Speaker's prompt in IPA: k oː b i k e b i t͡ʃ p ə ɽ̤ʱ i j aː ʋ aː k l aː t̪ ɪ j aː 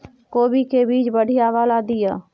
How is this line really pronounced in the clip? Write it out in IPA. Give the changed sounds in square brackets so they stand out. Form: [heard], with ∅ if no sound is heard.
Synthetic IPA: k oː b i k e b [iː] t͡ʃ [b] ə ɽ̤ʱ i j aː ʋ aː [∅] l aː [d̪] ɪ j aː

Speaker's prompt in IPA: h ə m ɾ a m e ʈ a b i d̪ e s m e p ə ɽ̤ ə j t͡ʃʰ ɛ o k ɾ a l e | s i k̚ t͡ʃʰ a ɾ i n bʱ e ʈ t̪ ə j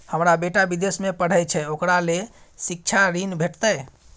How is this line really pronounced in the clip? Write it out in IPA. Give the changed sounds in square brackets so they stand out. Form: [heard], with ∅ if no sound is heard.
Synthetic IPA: h ə m ɾ a [b] e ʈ a b i d̪ e s m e p ə ɽ̤ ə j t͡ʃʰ ɛ o k ɾ a l e | s i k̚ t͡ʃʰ a ɾ i n bʱ e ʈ t̪ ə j

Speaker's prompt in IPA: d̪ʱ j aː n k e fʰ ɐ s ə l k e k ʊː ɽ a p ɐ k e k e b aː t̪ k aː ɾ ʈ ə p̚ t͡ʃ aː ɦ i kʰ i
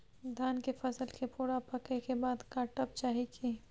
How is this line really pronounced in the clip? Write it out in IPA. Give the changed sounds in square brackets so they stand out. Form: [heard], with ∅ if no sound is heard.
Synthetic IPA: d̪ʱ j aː n k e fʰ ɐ s ə l k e [p] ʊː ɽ a p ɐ k e k e b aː [d̪] k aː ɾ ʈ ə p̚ t͡ʃ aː ɦ i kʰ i

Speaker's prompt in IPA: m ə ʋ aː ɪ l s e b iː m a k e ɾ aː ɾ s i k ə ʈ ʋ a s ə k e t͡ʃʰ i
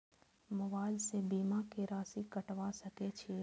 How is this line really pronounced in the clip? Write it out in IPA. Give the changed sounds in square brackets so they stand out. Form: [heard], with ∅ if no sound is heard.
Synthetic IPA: m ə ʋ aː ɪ l s e b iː m a k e ɾ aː [∅] s i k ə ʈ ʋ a s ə k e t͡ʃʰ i

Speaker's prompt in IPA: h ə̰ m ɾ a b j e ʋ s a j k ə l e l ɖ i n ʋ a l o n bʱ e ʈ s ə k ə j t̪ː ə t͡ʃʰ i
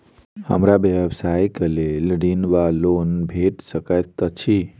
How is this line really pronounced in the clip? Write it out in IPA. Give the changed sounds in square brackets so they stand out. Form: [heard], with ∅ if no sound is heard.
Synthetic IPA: h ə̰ m ɾ a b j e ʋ s a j k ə l e l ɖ i n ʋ a l o n bʱ e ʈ s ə k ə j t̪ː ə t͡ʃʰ i

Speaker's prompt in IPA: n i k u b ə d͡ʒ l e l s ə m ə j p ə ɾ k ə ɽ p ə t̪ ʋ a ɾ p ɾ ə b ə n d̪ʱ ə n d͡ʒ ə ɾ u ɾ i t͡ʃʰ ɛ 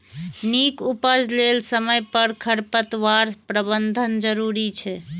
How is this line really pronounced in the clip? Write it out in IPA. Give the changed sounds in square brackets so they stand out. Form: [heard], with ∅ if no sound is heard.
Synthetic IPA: n i k u [p] ə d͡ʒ l e l s ə m ə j p ə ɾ [kʰ] ə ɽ p ə t̪ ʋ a ɾ p ɾ ə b ə n d̪ʱ ə n d͡ʒ ə ɾ u ɾ i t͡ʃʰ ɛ

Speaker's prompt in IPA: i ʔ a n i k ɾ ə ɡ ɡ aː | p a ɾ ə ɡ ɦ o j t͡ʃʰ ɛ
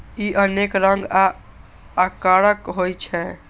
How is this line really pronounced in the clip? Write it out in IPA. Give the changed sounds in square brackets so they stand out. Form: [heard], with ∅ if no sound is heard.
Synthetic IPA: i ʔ [ə] n [e] k ɾ ə [ŋ] ɡ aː | [k] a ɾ ə [k] ɦ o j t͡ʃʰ ɛ

